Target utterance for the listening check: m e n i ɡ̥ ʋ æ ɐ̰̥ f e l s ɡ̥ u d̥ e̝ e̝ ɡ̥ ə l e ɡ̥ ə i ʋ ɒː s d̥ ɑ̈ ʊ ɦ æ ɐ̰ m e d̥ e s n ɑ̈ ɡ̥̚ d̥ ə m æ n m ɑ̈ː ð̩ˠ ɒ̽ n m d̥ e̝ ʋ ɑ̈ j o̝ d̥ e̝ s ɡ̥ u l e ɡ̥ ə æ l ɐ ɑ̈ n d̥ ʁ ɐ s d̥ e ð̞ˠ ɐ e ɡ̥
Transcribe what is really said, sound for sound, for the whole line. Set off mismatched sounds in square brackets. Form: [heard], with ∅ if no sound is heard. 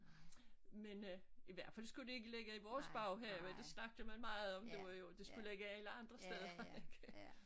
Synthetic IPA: m e n i [∅] ʋ æ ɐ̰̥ f [æ] l s ɡ̥ u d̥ e̝ e̝ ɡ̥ ə l e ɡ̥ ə i ʋ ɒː s [b̥] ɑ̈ ʊ ɦ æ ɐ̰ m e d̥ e s n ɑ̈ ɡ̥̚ d̥ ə m æ n m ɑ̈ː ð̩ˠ ɒ̽ [∅] m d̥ e̝ ʋ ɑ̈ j o̝ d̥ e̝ s ɡ̥ u l e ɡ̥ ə æ l [ə] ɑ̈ n d̥ ʁ ɐ s d̥ e ð̞ˠ ɐ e ɡ̥